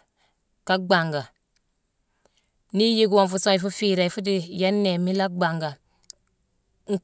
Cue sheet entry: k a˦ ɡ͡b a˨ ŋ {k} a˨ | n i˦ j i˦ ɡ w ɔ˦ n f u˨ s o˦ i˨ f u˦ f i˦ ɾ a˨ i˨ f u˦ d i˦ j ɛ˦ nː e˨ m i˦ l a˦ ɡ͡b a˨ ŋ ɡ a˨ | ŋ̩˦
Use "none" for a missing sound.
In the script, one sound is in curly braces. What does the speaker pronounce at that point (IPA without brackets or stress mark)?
ɡ